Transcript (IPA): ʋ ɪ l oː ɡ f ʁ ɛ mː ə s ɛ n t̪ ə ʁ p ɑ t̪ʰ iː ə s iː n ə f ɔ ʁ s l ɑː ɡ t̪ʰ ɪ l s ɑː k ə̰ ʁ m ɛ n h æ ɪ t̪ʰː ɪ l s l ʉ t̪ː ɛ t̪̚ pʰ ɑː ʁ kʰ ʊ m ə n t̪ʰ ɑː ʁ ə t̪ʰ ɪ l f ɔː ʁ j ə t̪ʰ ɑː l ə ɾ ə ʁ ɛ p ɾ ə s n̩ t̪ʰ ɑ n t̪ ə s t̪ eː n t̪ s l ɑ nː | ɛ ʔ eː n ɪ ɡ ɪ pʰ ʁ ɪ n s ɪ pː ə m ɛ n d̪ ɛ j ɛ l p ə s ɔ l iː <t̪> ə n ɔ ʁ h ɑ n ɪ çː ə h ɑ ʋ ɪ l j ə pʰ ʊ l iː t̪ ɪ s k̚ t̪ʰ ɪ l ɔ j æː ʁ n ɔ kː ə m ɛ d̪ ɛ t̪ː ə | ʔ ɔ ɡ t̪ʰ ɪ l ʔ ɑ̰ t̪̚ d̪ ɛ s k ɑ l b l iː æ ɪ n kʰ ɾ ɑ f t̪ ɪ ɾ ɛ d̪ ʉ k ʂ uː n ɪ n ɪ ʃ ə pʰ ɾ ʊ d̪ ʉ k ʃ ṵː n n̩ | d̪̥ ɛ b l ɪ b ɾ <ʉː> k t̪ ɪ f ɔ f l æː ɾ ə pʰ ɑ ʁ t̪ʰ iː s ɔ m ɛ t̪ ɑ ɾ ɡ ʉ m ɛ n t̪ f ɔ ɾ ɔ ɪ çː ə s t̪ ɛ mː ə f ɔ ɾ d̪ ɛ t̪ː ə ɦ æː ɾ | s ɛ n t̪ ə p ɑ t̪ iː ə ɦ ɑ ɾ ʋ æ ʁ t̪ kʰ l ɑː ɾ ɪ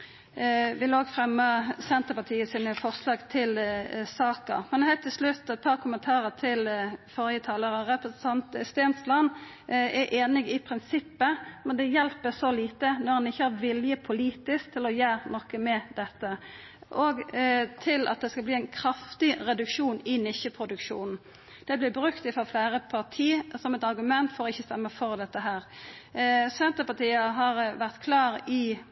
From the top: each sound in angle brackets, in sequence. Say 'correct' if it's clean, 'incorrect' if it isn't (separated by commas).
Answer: correct, incorrect